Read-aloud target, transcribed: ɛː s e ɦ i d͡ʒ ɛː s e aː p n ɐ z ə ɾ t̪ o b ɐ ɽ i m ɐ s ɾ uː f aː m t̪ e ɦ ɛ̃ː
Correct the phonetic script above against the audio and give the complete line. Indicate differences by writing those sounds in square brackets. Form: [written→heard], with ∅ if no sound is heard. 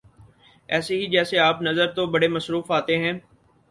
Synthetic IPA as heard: ɛː s e ɦ i d͡ʒ ɛː s e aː p n ɐ z ə ɾ t̪ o b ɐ ɽ [i→e] m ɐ s ɾ uː f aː [m→∅] t̪ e ɦ ɛ̃ː